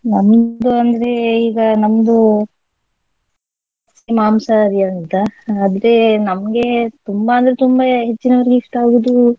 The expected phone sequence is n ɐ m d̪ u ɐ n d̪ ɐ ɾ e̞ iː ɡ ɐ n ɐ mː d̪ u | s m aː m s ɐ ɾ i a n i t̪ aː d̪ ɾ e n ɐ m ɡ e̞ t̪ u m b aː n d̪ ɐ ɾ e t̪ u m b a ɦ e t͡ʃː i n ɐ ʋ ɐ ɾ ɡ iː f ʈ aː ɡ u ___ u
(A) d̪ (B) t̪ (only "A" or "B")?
A